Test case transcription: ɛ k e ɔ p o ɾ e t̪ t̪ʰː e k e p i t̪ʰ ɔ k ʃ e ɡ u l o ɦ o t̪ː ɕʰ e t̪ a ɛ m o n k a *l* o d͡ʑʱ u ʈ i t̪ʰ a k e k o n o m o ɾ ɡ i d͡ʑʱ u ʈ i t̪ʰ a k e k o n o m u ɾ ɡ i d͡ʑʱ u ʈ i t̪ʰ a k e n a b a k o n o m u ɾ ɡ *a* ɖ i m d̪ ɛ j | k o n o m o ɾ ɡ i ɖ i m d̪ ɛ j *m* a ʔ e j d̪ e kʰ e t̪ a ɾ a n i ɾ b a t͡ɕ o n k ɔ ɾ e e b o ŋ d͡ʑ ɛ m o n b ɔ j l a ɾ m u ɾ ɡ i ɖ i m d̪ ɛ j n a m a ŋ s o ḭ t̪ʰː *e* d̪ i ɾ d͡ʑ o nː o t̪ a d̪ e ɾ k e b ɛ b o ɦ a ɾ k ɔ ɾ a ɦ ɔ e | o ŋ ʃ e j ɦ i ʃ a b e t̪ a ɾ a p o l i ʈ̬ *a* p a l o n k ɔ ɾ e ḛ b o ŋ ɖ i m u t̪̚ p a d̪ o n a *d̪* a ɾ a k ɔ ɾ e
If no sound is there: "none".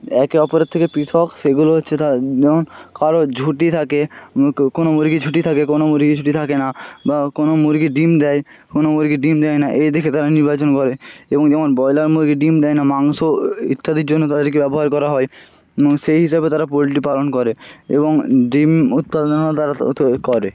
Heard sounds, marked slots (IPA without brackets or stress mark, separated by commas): ɾ, i, n, a, i, t̪